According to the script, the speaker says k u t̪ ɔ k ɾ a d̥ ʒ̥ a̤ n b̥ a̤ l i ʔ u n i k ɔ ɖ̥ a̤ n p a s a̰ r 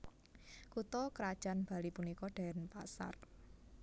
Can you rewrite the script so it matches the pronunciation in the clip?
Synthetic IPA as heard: k u t̪ ɔ k ɾ a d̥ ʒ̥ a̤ n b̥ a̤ l i p u n i k ɔ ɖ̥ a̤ n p a s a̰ r